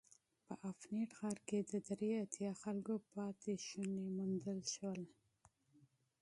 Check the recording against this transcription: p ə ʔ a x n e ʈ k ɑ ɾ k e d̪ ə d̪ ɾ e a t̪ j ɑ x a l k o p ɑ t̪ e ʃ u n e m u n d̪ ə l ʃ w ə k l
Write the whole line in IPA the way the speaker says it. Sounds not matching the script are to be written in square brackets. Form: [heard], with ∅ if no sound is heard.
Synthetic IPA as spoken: p ə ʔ a [f] n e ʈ [x] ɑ ɾ k e d̪ ə d̪ ɾ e a t̪ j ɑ x a l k o p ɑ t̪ e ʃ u n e m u n d̪ ə l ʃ w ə [∅] l